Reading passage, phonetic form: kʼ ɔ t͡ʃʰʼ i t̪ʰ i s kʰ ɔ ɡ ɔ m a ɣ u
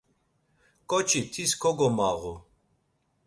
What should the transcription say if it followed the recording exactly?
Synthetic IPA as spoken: kʼ ɔ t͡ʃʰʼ i t̪ʰ i s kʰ ɔ ɡ ɔ m a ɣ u